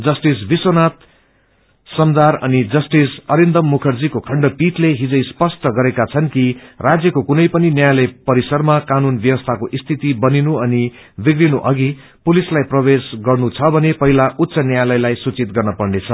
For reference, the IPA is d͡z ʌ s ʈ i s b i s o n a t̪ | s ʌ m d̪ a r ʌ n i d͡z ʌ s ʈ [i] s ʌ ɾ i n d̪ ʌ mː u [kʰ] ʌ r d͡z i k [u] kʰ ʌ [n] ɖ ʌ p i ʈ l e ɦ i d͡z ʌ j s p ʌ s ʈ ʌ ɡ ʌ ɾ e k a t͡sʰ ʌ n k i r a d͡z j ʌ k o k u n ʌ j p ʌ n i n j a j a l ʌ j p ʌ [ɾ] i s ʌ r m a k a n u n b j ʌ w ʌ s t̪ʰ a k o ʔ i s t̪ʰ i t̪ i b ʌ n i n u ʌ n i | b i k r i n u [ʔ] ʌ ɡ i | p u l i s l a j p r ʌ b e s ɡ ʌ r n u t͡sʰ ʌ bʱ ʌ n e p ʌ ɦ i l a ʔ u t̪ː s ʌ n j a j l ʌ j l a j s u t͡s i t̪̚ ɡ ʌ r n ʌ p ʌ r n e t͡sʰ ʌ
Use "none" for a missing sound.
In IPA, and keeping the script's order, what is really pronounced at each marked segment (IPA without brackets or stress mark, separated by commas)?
i, kʰ, o, ɳ, ɾ, ʔ